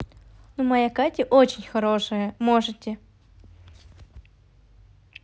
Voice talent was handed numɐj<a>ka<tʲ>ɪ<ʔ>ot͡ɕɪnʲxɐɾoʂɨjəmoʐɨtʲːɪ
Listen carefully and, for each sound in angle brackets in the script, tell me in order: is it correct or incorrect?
correct, correct, correct

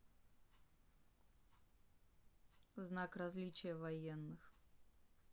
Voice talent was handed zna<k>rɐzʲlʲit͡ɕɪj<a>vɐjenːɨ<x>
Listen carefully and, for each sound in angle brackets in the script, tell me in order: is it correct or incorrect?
correct, incorrect: ə, correct

